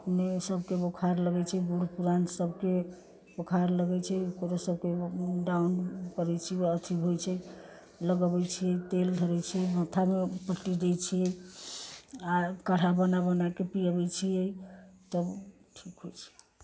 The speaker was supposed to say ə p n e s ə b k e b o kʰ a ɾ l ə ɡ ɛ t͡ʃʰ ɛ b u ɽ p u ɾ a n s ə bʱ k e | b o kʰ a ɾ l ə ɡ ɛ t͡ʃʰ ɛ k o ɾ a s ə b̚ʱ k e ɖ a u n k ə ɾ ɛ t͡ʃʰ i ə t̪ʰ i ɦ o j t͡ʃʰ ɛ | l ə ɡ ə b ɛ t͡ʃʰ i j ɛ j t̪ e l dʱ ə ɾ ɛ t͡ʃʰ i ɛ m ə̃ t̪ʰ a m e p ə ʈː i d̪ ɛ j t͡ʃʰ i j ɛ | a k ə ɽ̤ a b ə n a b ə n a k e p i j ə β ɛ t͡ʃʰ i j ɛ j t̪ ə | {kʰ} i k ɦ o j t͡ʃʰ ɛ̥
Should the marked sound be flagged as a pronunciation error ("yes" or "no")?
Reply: yes